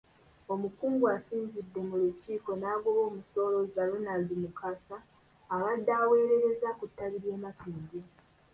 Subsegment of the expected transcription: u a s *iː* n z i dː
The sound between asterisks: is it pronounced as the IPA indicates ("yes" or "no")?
yes